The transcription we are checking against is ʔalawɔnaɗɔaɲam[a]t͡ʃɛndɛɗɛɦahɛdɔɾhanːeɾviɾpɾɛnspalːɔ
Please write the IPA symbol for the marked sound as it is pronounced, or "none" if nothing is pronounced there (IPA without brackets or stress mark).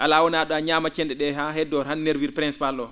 a